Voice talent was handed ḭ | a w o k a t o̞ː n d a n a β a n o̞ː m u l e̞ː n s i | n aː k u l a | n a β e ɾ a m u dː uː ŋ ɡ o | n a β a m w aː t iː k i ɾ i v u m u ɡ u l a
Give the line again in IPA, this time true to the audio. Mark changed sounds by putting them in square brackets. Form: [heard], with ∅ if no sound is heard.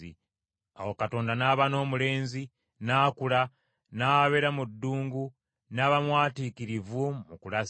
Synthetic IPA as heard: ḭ | a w o k a t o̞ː n d a n a β a n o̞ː m u l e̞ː n [z] i | n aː k u l a | n a β e ɾ a m u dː uː ŋ ɡ [u] | n a β a m w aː t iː k i ɾ i v u m u [k] u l a